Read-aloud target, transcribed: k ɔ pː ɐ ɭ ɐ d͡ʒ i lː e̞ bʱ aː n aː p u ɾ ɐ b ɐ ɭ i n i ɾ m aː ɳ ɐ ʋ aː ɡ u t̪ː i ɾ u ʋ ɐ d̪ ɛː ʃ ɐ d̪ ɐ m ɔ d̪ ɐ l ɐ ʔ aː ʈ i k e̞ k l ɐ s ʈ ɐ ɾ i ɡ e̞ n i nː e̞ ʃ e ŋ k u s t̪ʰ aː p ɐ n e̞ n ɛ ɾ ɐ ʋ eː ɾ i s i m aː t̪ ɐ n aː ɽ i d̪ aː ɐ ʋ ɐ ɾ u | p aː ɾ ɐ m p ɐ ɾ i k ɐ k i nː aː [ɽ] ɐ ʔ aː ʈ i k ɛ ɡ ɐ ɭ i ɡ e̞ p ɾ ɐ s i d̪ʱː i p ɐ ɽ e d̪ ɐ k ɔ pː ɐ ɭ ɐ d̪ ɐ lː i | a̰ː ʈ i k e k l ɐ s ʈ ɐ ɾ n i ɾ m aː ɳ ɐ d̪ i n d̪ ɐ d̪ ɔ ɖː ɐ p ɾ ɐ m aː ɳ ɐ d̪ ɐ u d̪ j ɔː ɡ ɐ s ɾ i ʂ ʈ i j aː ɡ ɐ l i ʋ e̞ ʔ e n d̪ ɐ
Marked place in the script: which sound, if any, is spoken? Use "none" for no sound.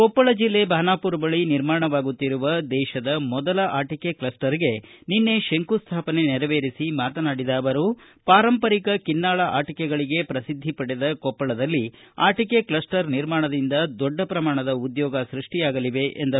ɭ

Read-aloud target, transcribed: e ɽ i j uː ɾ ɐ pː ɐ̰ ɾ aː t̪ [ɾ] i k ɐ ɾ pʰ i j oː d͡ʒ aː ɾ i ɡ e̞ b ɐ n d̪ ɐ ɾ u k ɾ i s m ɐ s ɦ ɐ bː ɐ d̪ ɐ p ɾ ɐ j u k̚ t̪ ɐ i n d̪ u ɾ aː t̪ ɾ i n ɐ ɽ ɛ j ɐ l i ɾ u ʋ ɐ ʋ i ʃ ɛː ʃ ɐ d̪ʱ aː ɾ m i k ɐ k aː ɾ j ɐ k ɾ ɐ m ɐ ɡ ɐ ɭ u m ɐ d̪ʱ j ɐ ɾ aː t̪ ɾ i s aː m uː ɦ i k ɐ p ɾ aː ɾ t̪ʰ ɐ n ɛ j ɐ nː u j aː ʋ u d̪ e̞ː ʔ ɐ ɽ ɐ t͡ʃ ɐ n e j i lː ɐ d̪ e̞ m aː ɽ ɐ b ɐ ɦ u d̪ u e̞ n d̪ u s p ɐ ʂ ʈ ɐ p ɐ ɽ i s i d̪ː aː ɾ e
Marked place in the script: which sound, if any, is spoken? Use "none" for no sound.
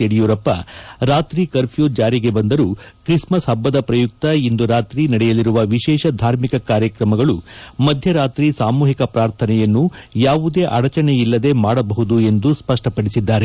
ɾ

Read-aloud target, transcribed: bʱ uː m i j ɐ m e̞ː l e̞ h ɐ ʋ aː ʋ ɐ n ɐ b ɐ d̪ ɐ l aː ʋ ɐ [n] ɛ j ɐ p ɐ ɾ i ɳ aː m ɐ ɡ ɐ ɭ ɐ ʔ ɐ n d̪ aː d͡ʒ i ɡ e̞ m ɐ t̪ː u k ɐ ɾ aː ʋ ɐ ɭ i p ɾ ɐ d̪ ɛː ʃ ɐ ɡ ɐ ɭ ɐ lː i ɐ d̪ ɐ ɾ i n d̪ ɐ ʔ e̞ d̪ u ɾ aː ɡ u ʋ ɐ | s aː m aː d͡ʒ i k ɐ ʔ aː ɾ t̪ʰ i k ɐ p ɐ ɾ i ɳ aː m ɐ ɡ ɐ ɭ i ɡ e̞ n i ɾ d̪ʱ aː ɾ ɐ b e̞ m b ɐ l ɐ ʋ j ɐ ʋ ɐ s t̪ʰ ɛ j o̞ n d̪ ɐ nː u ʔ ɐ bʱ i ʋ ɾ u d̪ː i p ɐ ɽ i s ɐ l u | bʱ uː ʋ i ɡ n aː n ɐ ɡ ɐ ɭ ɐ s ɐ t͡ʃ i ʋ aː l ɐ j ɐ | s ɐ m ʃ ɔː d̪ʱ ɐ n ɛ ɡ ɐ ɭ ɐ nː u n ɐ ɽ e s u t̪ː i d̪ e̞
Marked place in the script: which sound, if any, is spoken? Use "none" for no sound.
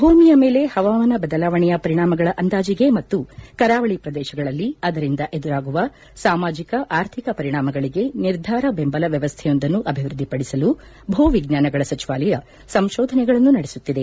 ɳ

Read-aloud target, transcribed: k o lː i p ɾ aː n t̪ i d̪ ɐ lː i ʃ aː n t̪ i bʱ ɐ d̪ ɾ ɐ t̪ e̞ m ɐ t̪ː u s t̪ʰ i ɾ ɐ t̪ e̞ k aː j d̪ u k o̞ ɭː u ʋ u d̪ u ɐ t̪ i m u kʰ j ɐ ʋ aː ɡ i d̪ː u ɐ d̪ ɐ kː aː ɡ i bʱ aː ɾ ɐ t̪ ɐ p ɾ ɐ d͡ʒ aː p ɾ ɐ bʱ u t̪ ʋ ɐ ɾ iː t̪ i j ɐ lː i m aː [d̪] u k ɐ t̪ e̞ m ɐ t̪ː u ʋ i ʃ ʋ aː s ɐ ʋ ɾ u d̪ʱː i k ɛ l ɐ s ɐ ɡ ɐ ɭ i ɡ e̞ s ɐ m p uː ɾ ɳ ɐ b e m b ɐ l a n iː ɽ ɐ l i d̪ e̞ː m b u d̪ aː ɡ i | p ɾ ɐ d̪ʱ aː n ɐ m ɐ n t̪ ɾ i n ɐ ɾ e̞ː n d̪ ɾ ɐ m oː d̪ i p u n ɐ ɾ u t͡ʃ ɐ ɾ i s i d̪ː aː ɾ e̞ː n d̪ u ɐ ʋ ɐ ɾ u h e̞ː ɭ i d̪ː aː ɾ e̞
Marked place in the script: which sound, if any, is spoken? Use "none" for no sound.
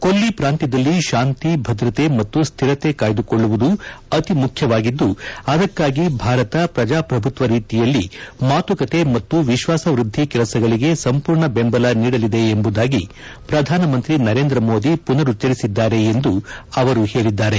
t̪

